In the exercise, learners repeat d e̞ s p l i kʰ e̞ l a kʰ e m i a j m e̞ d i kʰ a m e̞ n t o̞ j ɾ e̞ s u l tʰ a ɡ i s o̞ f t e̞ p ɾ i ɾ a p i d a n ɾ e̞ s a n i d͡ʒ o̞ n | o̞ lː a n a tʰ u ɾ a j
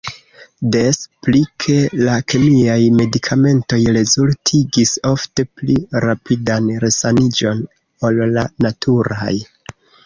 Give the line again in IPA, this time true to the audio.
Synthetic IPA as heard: d e̞ s p l i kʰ e̞ l a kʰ e m i a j m e̞ d i kʰ a m e̞ n t o̞ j ɾ e̞ z u l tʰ i ɡ i s o̞ f t e̞ p l i ɾ a p i d a n ɾ e̞ s a n i d͡ʒ o̞ n | o̞ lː a n a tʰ u ɾ a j